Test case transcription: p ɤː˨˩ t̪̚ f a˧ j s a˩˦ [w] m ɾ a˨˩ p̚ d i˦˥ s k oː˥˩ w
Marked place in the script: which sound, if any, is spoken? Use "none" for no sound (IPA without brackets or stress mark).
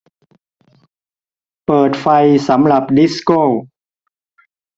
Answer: none